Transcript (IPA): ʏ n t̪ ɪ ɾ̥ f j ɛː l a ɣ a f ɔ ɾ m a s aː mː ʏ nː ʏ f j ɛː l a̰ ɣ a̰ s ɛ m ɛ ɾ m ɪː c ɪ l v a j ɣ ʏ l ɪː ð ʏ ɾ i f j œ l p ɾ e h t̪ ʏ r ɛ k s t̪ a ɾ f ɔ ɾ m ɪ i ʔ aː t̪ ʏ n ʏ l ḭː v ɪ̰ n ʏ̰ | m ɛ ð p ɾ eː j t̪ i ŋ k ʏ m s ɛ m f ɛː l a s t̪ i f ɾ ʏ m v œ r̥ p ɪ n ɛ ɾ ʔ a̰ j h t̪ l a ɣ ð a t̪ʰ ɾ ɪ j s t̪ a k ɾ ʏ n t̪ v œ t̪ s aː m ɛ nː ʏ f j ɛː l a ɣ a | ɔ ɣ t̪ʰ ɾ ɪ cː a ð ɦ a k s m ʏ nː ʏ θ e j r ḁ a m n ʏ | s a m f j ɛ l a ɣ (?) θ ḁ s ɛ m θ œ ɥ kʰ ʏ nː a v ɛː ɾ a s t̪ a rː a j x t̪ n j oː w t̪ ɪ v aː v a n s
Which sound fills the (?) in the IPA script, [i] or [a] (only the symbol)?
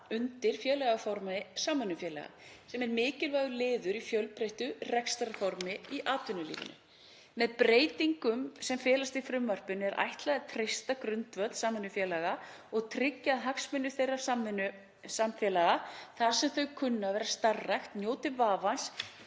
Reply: a